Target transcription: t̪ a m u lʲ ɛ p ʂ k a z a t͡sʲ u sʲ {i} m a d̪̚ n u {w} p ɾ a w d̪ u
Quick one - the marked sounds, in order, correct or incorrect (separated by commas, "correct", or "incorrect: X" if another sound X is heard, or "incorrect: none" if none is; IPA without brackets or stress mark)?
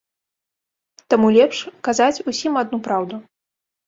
correct, incorrect: none